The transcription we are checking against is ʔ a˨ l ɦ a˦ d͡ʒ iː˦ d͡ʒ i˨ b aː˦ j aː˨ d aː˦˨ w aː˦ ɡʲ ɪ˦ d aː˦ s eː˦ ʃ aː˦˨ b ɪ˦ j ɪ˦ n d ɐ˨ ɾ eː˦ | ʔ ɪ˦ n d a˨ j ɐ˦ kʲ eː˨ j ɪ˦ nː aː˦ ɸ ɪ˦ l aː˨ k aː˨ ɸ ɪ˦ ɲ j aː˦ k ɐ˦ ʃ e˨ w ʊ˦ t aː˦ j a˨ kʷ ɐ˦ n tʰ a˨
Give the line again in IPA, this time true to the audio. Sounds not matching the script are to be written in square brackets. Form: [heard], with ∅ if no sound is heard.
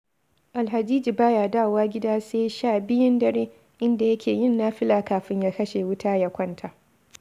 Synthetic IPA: ʔ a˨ l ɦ [a˨] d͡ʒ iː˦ d͡ʒ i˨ b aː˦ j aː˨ d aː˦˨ w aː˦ ɡʲ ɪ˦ d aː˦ s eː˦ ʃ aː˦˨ b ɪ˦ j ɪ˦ n d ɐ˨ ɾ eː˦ | ʔ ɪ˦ n d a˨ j ɐ˦ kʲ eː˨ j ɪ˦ nː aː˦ ɸ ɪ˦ l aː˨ k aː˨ ɸ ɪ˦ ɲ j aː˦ k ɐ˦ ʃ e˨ w ʊ˦ t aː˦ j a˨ kʷ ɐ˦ n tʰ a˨